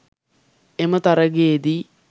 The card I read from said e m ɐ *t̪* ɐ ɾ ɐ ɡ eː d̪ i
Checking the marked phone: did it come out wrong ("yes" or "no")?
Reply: no